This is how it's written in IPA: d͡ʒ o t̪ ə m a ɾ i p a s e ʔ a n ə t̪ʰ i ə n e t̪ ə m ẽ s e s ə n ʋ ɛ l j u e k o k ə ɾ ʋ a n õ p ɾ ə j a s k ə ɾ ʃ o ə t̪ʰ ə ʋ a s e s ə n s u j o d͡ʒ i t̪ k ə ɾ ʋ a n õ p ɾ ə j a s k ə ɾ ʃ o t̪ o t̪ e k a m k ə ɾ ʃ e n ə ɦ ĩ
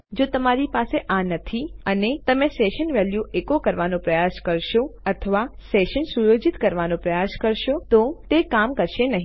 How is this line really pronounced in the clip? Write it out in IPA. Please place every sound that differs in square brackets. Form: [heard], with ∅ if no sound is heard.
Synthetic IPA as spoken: d͡ʒ o t̪ ə m a ɾ i p a s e ʔ a n ə t̪ʰ i ə n e t̪ ə m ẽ s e [ʃ] ə n ʋ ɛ l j u e k o k ə ɾ ʋ a n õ p ɾ ə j a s k ə ɾ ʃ o ə t̪ʰ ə ʋ a s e [ʃ] ə n s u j o d͡ʒ i t̪ k ə ɾ ʋ a n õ p ɾ ə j a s k ə ɾ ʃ o t̪ o t̪ e k a m k ə ɾ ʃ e n ə ɦ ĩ